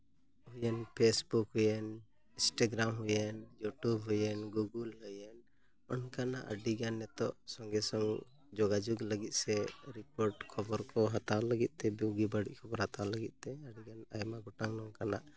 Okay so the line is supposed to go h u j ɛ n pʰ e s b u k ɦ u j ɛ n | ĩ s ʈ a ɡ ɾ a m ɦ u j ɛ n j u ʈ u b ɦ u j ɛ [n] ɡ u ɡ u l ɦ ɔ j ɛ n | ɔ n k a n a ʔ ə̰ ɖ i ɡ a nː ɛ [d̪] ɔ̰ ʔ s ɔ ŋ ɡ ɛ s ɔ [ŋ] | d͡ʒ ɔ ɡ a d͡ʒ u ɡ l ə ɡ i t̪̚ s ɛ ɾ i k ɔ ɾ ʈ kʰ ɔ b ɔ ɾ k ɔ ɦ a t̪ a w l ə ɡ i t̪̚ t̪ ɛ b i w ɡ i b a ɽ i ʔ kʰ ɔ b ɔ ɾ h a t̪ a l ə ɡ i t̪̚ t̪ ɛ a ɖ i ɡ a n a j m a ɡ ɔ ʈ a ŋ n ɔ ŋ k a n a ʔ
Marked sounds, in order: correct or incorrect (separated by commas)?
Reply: correct, incorrect, correct